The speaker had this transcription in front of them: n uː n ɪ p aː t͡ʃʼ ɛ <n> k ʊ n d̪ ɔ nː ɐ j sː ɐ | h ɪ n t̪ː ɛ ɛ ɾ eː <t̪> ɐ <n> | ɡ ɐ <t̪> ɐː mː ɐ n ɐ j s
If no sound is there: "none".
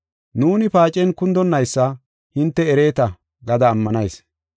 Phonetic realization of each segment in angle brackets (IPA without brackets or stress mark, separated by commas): n, t̪, none, d̪